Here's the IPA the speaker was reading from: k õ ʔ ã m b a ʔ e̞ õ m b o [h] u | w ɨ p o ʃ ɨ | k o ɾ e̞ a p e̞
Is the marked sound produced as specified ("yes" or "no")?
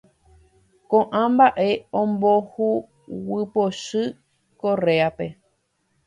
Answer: yes